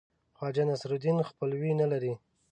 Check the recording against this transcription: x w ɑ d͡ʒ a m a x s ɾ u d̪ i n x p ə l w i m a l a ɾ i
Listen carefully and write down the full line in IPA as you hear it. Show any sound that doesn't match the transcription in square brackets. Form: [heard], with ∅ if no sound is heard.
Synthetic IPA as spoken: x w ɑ d͡ʒ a [n] a [∅] s ɾ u d̪ i n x p ə l w i [n] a l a ɾ i